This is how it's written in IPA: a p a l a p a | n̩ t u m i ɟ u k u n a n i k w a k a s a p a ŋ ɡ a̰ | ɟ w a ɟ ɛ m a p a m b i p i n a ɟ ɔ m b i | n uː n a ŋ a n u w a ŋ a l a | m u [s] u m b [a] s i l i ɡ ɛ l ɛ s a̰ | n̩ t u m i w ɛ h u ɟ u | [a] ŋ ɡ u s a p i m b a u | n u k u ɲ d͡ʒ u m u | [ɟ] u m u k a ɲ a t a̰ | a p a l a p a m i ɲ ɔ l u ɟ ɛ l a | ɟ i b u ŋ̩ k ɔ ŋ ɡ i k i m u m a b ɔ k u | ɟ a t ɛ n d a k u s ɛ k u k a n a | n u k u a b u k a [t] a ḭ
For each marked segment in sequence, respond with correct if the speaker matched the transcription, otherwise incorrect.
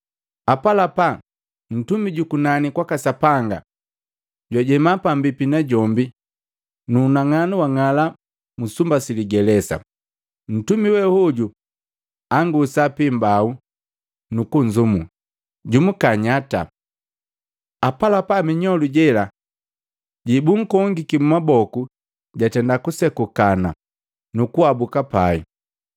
correct, correct, correct, correct, incorrect: p

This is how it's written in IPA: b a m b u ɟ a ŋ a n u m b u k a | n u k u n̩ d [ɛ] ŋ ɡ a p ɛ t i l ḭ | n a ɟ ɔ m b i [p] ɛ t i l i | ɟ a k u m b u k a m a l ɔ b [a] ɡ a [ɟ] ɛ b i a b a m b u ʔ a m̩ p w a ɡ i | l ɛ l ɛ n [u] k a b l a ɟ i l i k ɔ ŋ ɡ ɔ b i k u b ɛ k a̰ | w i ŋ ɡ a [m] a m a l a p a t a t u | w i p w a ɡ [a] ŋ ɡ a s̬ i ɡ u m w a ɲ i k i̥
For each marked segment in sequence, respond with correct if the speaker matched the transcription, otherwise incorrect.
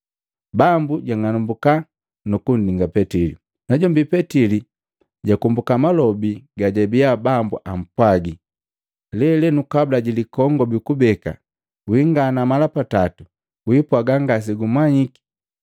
incorrect: i, correct, incorrect: i, correct, correct, incorrect: n, correct

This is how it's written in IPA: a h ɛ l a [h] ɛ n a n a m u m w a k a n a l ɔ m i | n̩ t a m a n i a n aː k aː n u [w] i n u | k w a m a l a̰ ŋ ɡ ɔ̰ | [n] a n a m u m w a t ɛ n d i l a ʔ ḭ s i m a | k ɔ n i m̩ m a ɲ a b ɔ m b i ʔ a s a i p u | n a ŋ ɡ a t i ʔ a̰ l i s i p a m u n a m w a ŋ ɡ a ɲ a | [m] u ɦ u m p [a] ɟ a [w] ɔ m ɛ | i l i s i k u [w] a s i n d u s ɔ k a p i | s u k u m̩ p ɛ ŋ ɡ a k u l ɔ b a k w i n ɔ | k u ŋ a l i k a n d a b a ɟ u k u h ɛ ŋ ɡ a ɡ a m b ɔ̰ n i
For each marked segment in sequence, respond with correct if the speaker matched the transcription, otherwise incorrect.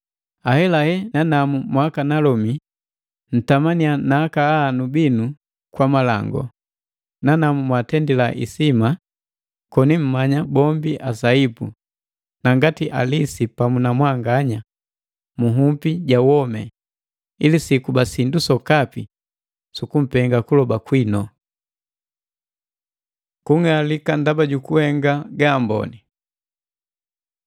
correct, incorrect: b, correct, correct, incorrect: i, correct, incorrect: b

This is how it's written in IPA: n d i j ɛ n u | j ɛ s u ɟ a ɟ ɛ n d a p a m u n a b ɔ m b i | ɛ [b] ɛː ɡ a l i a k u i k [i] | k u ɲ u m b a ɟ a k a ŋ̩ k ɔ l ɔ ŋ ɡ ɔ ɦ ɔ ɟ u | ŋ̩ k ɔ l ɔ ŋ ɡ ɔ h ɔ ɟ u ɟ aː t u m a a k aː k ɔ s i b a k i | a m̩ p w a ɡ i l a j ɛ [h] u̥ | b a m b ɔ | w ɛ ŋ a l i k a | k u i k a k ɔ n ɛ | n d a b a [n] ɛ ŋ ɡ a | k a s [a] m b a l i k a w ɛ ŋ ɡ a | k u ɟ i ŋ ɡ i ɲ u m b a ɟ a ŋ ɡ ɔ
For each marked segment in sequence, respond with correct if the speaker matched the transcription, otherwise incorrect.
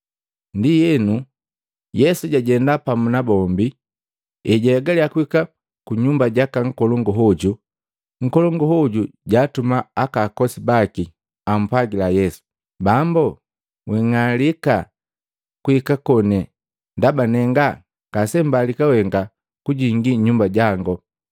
incorrect: ɟ, incorrect: a, incorrect: s, correct, incorrect: ɛ

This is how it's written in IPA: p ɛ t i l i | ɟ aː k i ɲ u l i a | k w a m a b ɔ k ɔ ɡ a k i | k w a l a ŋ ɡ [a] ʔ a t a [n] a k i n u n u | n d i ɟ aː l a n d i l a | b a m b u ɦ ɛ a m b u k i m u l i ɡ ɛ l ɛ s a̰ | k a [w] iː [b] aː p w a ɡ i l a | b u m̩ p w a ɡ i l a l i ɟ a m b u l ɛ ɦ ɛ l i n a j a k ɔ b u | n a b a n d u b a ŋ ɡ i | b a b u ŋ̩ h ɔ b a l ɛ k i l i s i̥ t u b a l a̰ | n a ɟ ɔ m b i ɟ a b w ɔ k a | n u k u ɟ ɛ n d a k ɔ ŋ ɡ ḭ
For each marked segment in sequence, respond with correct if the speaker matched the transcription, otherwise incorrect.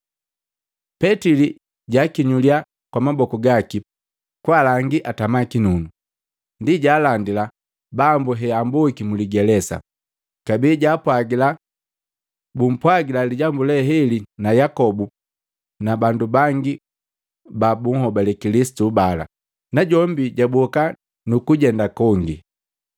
incorrect: i, incorrect: m, incorrect: b, incorrect: ɟ

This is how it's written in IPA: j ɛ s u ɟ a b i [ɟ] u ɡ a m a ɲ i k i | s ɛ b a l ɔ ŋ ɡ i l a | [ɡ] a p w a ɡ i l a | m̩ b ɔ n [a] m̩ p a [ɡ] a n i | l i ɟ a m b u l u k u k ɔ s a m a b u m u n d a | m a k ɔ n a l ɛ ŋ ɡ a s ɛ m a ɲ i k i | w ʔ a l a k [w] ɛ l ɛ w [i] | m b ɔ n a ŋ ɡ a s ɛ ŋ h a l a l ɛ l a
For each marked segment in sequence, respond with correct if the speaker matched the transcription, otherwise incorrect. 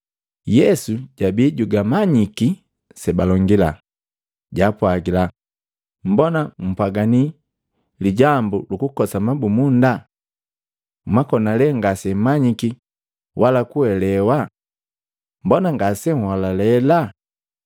correct, incorrect: ɟ, correct, correct, incorrect: u, incorrect: a

